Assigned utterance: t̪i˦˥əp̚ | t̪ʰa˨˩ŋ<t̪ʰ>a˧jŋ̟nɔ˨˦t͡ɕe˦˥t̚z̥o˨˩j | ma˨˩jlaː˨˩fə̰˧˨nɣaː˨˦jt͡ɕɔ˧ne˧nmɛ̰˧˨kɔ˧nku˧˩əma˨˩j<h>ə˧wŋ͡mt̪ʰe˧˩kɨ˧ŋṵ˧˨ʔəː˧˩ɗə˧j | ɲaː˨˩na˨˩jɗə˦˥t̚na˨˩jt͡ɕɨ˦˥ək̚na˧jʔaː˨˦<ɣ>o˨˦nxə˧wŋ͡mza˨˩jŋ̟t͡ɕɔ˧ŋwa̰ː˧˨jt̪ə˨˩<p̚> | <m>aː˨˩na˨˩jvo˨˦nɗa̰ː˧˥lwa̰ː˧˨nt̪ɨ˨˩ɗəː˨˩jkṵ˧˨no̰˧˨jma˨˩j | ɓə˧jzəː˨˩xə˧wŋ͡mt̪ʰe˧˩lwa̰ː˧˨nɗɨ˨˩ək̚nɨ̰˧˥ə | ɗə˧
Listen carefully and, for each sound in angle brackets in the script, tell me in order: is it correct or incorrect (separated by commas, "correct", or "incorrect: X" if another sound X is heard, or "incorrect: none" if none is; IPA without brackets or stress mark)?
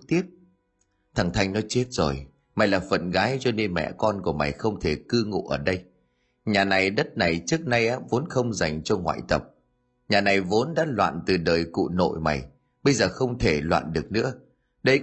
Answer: correct, incorrect: x, incorrect: v, correct, incorrect: ɲ